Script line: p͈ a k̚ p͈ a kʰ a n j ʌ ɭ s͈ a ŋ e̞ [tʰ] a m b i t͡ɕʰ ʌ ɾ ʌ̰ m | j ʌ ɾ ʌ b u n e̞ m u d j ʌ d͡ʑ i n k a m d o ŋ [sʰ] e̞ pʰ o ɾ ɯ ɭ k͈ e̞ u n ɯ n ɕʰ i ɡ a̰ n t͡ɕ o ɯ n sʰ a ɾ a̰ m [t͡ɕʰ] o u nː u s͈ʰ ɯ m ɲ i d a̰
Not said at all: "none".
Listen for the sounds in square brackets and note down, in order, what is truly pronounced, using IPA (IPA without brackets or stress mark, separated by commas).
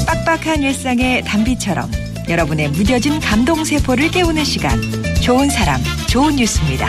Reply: t, sʰ, t͡ɕ